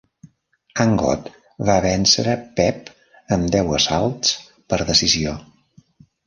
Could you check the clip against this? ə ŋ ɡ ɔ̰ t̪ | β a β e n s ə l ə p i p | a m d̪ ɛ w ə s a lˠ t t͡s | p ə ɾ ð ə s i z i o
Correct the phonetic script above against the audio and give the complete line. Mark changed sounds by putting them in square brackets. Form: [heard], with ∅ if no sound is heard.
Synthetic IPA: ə ŋ ɡ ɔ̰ t̪ | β a β [ɛ] n s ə [ɾ] ə p [ɛ] p | [ə] m d̪ ɛ w ə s a lˠ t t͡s | p ə ɾ ð ə s i z i o